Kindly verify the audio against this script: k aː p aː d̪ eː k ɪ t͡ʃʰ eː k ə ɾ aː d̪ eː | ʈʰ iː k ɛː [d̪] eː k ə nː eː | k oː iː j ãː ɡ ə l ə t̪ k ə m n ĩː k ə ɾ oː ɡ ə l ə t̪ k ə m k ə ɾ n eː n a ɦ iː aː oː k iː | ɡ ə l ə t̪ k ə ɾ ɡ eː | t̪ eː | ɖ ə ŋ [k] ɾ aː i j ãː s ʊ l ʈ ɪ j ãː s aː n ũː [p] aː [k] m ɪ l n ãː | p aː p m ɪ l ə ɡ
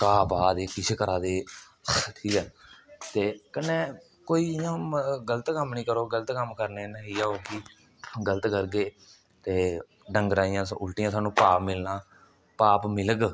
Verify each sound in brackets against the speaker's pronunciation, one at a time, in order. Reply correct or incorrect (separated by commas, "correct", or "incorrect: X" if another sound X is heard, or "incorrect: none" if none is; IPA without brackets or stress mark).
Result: incorrect: t̪, incorrect: ɡ, correct, incorrect: p